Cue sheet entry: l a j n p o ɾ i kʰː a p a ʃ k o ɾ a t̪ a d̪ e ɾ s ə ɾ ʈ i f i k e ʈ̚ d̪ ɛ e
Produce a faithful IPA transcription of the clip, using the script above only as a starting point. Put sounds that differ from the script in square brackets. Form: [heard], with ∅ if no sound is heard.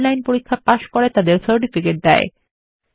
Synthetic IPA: l a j n p o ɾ i kʰː a p a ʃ k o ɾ [e] t̪ a d̪ e ɾ s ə ɾ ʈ i f i k e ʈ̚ d̪ ɛ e